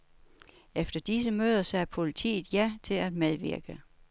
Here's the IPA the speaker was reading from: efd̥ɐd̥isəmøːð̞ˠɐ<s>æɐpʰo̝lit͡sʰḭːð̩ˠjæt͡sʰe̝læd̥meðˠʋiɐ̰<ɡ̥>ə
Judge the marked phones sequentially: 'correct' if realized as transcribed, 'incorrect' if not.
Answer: correct, correct

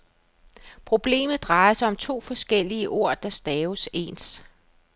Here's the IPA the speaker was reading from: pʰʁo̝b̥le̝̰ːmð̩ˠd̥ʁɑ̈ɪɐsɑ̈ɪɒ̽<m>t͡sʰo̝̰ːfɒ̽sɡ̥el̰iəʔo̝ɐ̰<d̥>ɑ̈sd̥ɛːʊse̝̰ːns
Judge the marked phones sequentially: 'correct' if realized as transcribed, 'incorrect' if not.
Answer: correct, correct

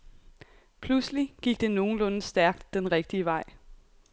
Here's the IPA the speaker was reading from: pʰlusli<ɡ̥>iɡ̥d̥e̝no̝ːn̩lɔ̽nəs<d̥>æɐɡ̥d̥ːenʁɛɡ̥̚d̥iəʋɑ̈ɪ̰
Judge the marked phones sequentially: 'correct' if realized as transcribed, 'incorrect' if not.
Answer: correct, correct

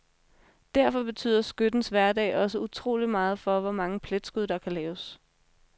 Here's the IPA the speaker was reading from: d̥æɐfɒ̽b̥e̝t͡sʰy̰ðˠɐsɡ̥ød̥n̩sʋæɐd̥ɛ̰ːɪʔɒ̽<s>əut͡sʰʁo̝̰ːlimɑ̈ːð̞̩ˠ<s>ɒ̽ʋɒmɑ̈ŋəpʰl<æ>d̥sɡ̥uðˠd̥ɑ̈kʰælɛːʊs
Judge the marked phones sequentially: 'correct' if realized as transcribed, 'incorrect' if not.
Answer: correct, incorrect: f, incorrect: e

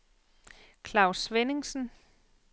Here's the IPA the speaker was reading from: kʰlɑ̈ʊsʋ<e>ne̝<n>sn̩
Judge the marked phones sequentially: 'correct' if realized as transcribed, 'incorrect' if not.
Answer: correct, incorrect: ŋ

